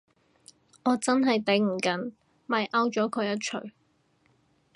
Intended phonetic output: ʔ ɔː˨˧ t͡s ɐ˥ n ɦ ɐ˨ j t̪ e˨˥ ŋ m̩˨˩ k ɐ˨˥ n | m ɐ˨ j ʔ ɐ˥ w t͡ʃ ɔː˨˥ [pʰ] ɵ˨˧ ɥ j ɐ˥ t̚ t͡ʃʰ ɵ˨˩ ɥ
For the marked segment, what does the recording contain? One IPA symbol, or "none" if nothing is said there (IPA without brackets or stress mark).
kʰ